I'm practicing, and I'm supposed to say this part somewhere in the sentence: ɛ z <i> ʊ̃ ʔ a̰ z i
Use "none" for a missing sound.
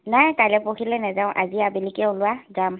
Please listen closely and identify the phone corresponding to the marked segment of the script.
a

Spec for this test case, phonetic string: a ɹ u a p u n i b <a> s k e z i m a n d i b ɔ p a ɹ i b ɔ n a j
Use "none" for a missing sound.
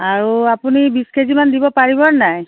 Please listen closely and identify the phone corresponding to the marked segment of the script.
i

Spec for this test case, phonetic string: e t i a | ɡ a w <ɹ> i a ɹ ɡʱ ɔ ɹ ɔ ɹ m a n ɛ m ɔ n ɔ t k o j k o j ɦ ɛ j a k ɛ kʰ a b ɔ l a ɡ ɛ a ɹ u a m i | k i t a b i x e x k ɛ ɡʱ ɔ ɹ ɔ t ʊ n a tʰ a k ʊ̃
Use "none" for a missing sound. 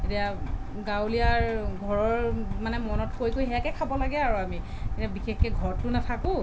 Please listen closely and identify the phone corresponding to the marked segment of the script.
l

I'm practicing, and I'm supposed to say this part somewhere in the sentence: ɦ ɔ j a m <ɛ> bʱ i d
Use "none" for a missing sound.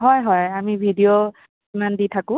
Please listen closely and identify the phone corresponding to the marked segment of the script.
i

